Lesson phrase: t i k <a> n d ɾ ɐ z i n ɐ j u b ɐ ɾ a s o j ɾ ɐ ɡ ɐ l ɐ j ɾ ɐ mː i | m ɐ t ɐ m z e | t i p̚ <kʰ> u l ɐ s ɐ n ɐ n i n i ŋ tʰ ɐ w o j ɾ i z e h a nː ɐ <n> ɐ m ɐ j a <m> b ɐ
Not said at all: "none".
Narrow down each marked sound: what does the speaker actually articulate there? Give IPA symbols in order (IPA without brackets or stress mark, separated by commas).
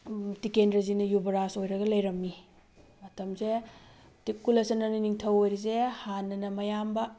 e, k, n, m